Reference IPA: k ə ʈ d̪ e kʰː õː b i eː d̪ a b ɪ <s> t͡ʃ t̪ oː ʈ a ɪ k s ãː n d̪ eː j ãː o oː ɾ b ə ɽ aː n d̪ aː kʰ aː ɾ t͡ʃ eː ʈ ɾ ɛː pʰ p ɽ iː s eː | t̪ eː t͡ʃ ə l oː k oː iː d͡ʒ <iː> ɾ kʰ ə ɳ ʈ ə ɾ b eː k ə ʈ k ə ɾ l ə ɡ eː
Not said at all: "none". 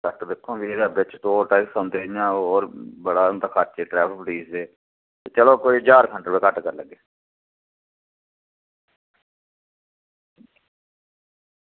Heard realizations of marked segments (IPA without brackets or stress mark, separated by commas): none, aː